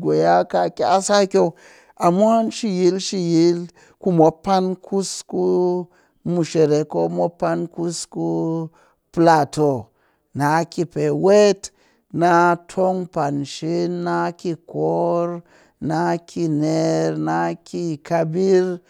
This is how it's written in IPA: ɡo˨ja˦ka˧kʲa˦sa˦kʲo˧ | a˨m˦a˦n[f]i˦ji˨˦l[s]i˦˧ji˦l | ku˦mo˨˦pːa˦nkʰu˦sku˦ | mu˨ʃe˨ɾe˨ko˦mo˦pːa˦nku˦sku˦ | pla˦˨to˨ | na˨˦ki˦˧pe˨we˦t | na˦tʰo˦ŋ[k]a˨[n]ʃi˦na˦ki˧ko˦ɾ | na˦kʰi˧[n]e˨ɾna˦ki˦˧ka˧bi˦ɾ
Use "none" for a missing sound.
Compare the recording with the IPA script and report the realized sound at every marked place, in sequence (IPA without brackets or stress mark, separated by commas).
ʃ, ʃ, p, n, n